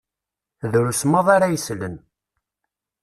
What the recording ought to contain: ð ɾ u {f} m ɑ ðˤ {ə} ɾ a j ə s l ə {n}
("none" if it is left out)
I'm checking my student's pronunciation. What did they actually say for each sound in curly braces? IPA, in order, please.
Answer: s, a, n

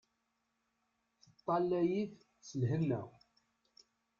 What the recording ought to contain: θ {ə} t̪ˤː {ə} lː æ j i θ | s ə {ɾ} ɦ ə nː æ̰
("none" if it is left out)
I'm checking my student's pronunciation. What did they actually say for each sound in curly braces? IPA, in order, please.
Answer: ə, ɑ, l

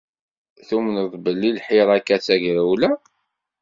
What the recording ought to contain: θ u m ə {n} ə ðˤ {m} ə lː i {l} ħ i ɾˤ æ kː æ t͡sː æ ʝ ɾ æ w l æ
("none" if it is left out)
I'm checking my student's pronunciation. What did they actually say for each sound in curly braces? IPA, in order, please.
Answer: n, b, l

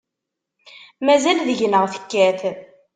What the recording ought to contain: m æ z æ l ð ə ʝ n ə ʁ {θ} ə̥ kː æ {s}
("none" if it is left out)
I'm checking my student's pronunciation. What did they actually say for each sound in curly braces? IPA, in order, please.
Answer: θ, θ

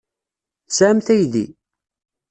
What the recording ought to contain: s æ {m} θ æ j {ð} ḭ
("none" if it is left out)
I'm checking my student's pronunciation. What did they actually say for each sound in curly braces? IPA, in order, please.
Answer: m, ð

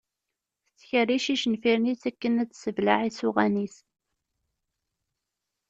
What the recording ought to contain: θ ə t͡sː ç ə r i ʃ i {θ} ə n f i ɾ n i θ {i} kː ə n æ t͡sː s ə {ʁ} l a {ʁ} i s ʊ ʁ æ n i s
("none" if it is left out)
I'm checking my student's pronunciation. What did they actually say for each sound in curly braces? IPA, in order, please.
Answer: ʃ, æ, v, ʕ

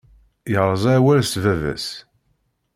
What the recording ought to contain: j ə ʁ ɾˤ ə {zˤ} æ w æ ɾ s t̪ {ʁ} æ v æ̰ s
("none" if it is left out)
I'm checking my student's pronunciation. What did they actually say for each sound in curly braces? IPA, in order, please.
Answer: zˤ, v

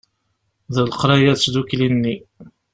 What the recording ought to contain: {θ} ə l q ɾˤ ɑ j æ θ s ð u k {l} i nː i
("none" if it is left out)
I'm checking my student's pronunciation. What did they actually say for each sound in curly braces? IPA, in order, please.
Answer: ð, l

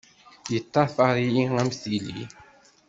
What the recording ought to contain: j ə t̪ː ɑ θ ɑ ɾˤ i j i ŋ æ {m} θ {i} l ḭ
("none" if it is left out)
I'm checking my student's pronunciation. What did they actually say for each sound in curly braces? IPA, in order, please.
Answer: m, i

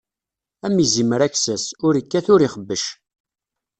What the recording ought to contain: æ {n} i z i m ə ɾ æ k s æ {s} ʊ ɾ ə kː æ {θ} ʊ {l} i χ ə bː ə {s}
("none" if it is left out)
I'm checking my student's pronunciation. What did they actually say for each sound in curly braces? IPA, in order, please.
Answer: m, s, θ, ɾ, ʃ

